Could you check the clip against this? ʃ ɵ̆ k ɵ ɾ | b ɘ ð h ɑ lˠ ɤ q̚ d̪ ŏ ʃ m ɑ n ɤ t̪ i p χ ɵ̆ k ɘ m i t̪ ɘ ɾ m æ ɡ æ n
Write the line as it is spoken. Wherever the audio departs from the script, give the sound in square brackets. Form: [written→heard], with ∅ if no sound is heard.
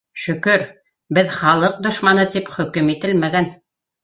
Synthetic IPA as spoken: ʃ ɵ̆ k ɵ ɾ | b ɘ ð [h→χ] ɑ lˠ ɤ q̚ d̪ ŏ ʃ m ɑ n ɤ t̪ i p χ ɵ̆ k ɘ m i t̪ ɘ [ɾ→l] m æ ɡ æ n